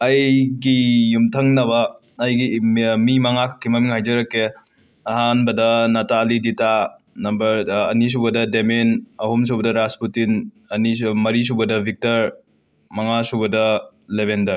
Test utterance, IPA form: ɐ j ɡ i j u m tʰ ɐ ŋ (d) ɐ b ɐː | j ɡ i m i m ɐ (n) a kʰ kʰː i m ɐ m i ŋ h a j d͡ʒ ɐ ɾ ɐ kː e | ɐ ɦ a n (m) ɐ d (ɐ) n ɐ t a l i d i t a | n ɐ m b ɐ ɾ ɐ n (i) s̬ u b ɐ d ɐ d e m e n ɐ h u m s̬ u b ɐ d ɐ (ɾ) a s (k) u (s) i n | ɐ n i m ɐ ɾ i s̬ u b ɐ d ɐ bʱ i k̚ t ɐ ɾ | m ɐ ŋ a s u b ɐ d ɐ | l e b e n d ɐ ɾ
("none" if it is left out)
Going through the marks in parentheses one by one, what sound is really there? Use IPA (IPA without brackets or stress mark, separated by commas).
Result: n, ŋ, b, ɐ, i, ɾ, p, t